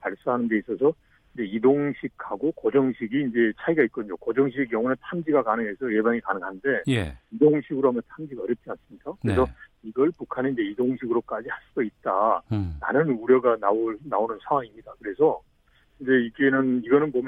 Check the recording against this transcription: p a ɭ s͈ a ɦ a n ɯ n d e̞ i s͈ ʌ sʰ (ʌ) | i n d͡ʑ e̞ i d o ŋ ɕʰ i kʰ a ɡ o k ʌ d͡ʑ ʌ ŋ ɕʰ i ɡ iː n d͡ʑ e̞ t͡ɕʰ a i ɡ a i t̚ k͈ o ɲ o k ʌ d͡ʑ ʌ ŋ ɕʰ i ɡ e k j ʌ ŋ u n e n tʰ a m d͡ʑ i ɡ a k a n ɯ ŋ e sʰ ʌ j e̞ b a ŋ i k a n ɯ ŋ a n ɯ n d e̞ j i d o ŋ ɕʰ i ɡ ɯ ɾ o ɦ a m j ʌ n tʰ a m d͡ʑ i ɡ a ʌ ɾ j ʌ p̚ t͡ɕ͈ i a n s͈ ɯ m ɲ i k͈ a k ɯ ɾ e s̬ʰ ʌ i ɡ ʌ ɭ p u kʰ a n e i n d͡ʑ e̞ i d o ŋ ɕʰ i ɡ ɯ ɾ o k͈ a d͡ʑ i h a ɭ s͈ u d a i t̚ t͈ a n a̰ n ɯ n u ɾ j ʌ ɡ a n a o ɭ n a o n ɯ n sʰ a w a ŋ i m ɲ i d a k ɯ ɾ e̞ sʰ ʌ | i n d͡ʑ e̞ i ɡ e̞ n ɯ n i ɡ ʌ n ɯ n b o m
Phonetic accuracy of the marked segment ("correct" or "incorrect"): correct